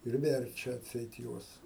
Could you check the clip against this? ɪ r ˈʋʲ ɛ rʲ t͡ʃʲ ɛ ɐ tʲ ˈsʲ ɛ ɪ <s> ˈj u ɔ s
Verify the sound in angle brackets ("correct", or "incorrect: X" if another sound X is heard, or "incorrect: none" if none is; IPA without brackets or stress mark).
incorrect: t